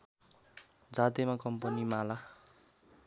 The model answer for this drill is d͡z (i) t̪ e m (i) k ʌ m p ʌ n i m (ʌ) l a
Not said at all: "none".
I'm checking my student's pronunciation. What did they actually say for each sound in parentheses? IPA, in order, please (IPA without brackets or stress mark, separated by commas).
a, a, a